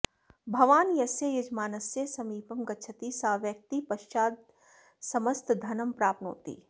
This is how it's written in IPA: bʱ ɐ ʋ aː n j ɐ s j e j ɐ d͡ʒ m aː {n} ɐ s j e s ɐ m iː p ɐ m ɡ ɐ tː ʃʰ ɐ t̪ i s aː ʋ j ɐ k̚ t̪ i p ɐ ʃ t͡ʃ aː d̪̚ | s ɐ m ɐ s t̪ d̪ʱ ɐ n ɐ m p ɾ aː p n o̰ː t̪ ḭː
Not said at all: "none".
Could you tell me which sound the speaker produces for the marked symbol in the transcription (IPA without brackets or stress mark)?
n